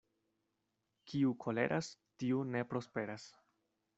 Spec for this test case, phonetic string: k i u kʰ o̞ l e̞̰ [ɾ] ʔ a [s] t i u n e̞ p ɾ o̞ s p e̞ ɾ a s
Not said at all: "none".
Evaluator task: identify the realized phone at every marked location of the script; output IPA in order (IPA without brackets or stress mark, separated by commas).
ɾ, s